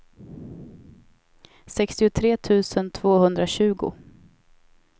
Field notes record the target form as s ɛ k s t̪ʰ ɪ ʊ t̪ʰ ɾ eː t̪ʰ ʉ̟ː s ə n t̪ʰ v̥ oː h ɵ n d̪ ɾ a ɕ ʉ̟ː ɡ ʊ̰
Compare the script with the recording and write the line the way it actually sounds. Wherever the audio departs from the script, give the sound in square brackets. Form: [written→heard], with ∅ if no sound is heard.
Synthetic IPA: s ɛ k s [t̪ʰ→t̪] ɪ ʊ t̪ʰ ɾ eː t̪ʰ ʉ̟ː s ə n t̪ʰ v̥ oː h ɵ n d̪ ɾ a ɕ ʉ̟ː ɡ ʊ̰